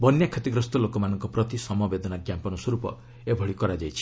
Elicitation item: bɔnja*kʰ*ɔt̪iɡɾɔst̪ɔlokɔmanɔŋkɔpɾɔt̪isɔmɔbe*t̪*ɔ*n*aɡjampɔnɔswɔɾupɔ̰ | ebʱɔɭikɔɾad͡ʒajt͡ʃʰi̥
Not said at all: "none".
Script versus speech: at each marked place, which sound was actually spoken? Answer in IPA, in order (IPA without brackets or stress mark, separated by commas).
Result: kʰ, d̪, n